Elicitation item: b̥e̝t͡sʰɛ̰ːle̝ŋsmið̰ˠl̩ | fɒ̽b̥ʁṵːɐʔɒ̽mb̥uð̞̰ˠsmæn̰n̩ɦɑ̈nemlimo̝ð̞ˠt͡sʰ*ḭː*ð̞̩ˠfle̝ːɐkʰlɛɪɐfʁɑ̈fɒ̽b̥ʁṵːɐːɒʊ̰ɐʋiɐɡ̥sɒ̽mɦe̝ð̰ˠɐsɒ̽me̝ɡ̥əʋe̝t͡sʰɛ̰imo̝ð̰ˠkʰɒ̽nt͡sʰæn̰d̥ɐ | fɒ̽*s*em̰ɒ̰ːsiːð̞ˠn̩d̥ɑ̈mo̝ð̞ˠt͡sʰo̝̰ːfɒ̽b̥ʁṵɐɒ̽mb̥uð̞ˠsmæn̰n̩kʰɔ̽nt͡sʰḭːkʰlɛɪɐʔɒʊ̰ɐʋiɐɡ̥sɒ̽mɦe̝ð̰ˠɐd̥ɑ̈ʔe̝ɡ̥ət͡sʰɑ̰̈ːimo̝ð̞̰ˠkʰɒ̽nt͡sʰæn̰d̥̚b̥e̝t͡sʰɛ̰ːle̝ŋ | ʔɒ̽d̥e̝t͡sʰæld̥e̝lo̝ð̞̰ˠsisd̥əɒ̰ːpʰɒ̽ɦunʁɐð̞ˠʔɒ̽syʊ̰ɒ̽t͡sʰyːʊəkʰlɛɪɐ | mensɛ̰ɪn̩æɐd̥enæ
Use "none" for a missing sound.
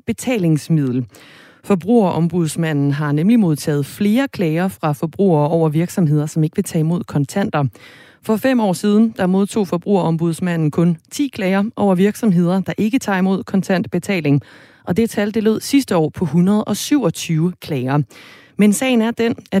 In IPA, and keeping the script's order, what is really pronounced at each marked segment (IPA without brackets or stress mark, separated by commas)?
ɛ̰ː, f